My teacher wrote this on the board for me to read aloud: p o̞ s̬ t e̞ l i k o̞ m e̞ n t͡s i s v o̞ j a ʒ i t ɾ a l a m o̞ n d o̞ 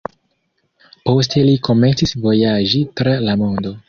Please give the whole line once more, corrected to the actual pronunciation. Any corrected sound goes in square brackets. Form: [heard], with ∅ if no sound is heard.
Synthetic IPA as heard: p o̞ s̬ t e̞ l i k o̞ m e̞ n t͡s i s v o̞ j a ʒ i t ɾ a l a m o̞ n d o̞